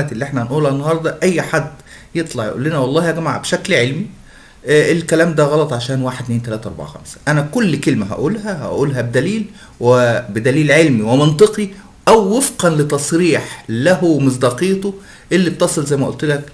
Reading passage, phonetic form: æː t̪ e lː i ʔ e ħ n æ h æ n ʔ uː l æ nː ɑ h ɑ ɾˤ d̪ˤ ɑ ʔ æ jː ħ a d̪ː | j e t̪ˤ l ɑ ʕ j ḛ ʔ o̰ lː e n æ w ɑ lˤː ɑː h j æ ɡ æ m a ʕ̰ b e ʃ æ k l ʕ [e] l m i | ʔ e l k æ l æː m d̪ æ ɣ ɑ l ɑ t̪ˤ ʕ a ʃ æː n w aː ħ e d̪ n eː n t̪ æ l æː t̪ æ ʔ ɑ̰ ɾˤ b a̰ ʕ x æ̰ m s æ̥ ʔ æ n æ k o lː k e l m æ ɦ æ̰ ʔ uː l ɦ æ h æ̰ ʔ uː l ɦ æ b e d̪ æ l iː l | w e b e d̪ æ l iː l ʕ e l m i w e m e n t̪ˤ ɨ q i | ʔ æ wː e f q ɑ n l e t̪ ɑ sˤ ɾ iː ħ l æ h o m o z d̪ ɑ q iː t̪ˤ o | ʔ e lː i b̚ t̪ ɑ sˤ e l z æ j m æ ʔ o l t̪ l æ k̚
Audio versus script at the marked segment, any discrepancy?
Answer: no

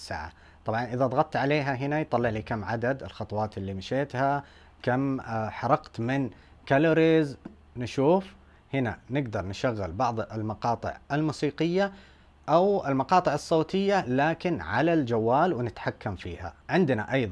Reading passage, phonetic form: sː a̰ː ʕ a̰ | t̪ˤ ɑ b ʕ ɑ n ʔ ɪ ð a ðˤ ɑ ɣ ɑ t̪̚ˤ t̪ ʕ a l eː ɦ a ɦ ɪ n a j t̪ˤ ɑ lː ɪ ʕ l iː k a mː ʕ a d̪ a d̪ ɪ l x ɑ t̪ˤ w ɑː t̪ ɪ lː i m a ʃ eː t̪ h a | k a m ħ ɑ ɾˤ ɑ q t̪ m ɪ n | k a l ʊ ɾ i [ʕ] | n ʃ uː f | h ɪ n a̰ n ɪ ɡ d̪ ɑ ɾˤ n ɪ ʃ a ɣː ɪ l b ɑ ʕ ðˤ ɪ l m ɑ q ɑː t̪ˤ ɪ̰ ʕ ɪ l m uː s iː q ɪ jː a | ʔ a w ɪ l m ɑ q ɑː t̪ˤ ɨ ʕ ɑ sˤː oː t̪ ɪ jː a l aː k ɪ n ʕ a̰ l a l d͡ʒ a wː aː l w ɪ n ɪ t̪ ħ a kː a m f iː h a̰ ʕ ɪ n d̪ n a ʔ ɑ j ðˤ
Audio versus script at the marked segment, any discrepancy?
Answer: yes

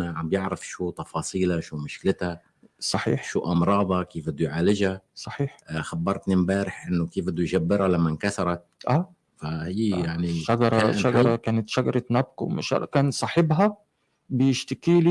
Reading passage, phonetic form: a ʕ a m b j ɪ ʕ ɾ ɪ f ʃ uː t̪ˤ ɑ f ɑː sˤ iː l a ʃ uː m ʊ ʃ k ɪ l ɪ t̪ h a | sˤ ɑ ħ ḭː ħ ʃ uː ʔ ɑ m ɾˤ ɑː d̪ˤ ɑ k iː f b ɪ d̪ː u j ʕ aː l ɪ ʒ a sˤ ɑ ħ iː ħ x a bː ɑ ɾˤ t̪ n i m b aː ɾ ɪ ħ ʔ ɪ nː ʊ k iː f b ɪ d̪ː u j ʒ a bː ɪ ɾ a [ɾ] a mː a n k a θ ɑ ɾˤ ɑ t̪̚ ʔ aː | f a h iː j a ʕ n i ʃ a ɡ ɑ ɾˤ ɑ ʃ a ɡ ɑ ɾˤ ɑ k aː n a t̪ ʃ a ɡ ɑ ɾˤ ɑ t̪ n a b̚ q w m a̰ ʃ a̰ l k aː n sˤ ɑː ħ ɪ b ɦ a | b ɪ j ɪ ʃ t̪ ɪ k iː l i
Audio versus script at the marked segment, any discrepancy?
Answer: yes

